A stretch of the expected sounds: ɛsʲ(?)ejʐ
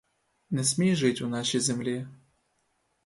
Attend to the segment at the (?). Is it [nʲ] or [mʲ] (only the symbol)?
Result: mʲ